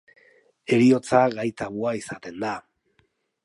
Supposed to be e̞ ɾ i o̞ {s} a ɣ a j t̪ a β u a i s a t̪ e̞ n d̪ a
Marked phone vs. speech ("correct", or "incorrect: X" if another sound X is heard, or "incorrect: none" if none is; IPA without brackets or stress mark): incorrect: t͡s